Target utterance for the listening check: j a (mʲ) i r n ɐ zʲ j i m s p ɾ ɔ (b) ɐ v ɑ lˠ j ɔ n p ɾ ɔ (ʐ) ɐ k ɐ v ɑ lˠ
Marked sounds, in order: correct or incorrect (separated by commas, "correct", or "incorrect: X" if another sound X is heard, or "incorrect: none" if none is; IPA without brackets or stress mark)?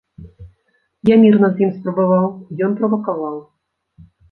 correct, correct, incorrect: v